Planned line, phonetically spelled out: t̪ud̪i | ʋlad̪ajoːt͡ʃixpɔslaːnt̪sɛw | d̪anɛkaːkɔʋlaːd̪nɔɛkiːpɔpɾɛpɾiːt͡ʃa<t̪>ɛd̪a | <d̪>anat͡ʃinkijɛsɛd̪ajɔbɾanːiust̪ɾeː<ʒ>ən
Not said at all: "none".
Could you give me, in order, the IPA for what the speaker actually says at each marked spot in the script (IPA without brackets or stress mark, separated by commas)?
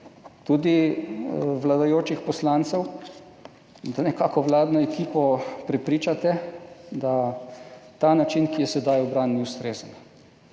t̪, t̪, z